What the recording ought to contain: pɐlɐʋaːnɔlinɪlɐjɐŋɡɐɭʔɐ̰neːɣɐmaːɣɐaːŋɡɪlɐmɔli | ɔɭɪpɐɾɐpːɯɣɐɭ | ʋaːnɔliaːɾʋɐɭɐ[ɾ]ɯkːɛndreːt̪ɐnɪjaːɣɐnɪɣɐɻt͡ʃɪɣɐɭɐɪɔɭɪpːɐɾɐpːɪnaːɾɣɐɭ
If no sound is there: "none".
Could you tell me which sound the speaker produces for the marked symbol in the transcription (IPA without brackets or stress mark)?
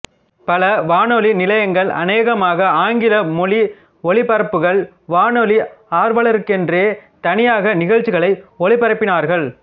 ɾ